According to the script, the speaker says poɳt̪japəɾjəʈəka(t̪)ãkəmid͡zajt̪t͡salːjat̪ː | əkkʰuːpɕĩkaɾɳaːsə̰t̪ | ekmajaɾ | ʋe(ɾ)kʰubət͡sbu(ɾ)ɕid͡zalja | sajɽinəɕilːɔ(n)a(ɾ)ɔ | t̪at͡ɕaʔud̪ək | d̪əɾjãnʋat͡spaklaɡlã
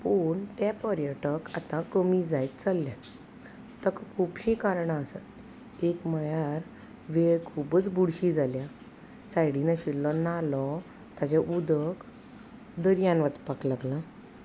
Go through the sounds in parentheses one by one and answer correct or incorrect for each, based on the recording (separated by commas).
correct, incorrect, incorrect, correct, incorrect